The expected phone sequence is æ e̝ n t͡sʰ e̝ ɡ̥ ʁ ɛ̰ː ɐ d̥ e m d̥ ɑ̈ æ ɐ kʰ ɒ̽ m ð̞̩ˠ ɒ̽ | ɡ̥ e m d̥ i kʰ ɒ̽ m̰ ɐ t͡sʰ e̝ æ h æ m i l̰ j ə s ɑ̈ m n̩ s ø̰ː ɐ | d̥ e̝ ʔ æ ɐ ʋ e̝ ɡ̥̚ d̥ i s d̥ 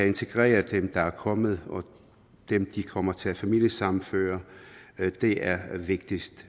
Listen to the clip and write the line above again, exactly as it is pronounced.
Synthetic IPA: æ e̝ n t͡sʰ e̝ ɡ̥ ʁ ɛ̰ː ɐ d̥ e m d̥ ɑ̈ æ ɐ kʰ ɒ̽ m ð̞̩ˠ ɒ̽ | d̥ e m d̥ i kʰ ɒ̽ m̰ ɐ t͡sʰ e̝ æ f æ m i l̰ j ə s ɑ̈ m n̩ f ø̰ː ɐ | d̥ e̝ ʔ æ ɐ ʋ e̝ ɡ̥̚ d̥ i s d̥